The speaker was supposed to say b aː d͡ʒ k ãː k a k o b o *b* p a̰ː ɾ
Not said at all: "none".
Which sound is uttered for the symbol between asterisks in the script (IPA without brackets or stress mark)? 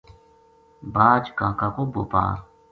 none